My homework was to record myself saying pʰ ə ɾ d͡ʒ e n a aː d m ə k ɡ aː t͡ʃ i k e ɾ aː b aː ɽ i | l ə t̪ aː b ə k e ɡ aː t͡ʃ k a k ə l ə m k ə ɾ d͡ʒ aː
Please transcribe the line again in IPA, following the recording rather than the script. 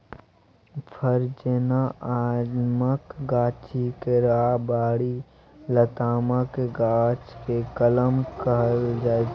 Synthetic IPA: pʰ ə ɾ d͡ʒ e n a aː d m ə k ɡ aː t͡ʃ i k e ɾ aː b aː ɽ i | l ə t̪ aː m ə k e ɡ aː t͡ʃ k e k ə l ə m k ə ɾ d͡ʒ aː